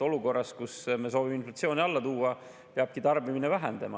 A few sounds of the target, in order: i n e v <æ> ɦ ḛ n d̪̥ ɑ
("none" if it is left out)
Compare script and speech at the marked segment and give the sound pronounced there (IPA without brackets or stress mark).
æ